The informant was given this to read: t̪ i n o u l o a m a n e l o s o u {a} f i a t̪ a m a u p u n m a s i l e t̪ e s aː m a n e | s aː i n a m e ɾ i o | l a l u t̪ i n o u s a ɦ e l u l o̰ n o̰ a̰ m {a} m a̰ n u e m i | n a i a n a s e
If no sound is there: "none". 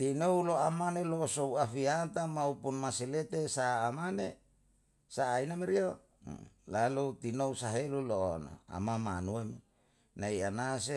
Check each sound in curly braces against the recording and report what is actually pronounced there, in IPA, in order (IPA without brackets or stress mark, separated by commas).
a, a